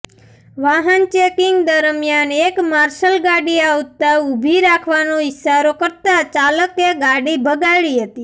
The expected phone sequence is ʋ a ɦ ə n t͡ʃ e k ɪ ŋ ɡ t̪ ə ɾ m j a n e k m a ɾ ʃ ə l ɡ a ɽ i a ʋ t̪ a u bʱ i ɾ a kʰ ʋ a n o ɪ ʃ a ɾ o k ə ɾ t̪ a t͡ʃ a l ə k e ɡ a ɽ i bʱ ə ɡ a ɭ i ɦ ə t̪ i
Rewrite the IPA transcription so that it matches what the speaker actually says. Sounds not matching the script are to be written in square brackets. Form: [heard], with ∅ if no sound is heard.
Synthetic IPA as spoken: ʋ a ɦ ə n t͡ʃ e k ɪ ŋ ɡ [d̪] ə ɾ m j a n e k m a ɾ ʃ ə l ɡ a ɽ i a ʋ t̪ a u bʱ i ɾ a kʰ ʋ a n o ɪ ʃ a ɾ o k ə ɾ t̪ a t͡ʃ a l ə k e ɡ a ɽ i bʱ ə ɡ a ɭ i ɦ ə t̪ i